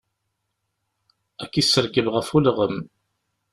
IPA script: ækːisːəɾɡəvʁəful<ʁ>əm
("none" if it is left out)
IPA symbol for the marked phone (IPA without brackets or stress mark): ʁ